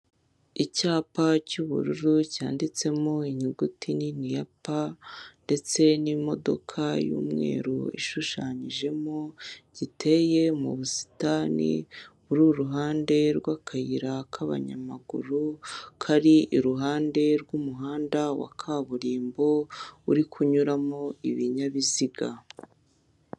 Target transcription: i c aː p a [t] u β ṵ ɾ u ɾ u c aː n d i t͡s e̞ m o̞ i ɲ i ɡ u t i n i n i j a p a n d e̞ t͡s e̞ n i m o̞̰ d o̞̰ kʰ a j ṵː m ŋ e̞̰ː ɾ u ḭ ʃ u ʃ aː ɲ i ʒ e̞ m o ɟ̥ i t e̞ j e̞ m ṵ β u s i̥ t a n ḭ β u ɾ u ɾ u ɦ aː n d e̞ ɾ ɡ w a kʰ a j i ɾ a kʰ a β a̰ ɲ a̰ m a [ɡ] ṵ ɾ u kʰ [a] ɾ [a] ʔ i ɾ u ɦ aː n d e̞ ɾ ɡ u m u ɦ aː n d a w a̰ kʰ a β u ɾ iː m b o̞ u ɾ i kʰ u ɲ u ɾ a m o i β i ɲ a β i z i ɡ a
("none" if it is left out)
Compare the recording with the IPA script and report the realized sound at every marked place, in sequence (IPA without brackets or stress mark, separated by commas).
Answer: c, ɡ, a, i